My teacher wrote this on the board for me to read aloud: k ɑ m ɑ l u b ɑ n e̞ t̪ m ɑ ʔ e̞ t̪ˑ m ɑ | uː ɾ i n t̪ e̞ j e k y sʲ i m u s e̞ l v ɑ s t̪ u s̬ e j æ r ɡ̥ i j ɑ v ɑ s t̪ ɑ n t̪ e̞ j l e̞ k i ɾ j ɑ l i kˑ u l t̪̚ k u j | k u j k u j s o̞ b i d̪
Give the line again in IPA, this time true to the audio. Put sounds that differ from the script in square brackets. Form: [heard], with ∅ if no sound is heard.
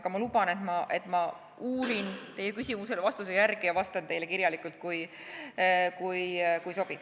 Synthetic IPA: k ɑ m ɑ l u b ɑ n e̞ t̪ m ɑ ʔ e̞ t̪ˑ m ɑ | uː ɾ i n t̪ e̞ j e k y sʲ i m u s e̞ l v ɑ s t̪ u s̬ e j æ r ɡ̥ i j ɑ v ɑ s t̪ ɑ n t̪ e̞ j l e̞ k i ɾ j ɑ l i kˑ u l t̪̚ k u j | k u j k u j s o̞ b i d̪

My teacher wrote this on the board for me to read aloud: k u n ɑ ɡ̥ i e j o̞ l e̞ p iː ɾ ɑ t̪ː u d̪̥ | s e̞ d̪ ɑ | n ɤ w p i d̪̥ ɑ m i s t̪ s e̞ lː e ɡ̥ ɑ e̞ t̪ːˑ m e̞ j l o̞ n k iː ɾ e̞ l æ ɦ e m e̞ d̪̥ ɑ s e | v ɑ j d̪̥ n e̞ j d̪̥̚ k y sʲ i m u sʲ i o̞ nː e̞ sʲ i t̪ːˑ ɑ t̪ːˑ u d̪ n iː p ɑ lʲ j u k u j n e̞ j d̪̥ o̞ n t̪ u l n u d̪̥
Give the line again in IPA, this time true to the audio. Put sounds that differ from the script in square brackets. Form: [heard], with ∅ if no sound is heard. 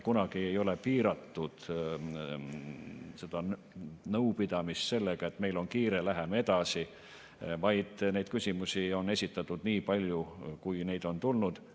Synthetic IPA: k u n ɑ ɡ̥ i e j o̞ l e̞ p iː ɾ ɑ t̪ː u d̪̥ | s e̞ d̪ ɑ | n ɤ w p i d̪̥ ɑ m i s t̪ s e̞ lː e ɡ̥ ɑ e̞ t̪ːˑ m e̞ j l o̞ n k iː ɾ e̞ l æ ɦ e m e̞ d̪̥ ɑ s [i] | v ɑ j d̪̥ n e̞ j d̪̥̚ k y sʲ i m u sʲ i o̞ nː e̞ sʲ i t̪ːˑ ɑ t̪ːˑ u d̪ n iː p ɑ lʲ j u k u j n e̞ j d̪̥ o̞ n t̪ u l n u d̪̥

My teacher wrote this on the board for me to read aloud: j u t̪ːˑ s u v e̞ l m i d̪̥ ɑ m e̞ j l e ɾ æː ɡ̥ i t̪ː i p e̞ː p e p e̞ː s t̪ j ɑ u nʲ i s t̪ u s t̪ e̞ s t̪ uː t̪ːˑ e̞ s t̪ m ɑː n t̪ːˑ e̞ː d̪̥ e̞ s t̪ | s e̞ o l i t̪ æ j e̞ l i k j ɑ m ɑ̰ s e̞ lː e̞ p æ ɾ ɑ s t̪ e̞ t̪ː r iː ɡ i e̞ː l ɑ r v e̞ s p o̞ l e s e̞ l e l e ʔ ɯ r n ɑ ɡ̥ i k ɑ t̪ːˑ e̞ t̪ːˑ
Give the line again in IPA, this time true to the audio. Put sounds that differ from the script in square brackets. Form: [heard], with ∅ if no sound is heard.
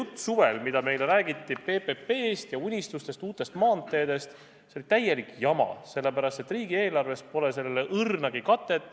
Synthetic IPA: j u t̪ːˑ s u v e̞ l m i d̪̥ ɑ m e̞ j l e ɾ æː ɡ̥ i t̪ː i p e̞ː p e p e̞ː s t̪ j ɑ u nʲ i s t̪ u s t̪ e̞ s t̪ uː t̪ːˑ e̞ s t̪ m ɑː n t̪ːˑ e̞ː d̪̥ e̞ s t̪ | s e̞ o l i t̪ æ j e̞ l i k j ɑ m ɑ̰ s e̞ lː e̞ p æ ɾ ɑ s t̪ e̞ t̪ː r iː ɡ i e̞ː l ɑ r v e̞ s p o̞ l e s e̞ l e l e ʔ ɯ r n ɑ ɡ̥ i k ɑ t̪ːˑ e̞ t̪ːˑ

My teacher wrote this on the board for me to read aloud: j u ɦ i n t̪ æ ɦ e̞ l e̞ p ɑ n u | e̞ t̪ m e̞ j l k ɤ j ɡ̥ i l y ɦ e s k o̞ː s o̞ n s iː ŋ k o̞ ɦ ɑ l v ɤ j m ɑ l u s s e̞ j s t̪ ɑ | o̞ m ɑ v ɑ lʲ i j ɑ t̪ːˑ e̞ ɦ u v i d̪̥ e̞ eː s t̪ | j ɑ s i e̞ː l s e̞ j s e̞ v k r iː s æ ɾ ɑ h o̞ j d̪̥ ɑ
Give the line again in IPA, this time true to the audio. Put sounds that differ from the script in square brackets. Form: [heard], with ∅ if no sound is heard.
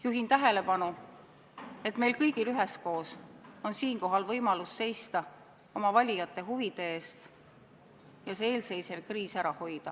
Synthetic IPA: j u ɦ i n t̪ æ ɦ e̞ l e̞ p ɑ n u | e̞ t̪ m e̞ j l k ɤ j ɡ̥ i l y ɦ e s k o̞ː s o̞ n s iː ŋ k o̞ ɦ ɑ l v ɤ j m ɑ l u s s e̞ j s t̪ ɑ | o̞ m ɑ v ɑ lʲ i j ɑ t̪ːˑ e̞ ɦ u v i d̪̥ e̞ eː s t̪ | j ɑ s [e] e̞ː l s e̞ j s e̞ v k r iː s æ ɾ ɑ h o̞ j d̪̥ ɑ

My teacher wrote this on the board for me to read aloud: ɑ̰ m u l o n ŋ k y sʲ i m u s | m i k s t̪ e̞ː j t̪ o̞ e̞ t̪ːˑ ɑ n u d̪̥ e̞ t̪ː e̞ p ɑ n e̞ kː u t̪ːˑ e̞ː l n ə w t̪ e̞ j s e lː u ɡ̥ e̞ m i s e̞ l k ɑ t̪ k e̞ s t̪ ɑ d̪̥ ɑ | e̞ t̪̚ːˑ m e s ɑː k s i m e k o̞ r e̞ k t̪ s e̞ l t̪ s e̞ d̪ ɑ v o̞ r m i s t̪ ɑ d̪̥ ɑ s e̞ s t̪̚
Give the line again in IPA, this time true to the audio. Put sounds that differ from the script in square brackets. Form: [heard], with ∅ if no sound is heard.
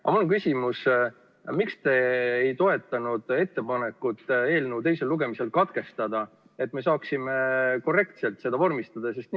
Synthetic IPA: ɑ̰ m u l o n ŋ k y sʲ i m u s | m i k s t̪ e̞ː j t̪ o̞ e̞ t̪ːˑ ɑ n u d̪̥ e̞ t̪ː e̞ p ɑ n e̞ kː u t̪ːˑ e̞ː l n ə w t̪ e̞ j s e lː u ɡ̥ e̞ m i s e̞ l k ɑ t̪ k e̞ s t̪ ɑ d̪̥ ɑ | e̞ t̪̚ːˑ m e s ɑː k s i m e k o̞ r e̞ k t̪ s e̞ l t̪ s e̞ d̪ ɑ v o̞ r m i s t̪ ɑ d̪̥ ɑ s e̞ s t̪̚

